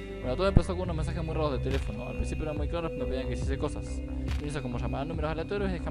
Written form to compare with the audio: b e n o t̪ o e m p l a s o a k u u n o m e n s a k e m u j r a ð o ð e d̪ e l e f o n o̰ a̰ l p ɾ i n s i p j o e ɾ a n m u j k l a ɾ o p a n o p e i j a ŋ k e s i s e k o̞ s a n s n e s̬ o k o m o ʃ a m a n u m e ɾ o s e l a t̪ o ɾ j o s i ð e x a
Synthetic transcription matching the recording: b e n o t̪ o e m p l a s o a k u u n o m e n s a x e m u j r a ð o ð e t̪ e l e f o n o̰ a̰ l p ɾ i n s i p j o e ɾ a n m u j k l a ɾ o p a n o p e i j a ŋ k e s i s e k o̞ s a s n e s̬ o k o m o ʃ a m a n u m e ɾ o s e l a t̪ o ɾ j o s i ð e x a